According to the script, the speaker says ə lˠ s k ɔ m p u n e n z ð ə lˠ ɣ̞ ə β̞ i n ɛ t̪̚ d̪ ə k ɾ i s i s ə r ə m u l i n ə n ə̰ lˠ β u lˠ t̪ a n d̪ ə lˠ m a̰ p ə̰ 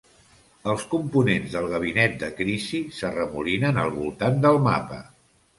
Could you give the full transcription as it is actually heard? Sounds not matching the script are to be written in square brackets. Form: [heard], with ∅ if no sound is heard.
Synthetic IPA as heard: ə lˠ s k [u] m p u n e n z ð ə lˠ ɣ̞ ə β̞ i n ɛ t̪̚ d̪ ə k ɾ i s i s ə r ə m u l i n ə n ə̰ lˠ β u lˠ t̪ a n d̪ ə lˠ m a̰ p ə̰